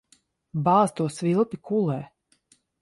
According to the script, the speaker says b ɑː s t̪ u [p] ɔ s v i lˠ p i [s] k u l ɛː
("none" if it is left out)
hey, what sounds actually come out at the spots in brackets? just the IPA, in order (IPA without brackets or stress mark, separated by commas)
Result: none, none